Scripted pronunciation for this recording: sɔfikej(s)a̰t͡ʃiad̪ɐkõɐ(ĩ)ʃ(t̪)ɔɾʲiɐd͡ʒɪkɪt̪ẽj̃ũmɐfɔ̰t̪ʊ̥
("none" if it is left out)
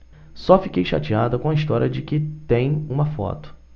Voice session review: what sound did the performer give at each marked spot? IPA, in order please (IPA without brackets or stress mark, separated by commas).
ʃ, i, t̪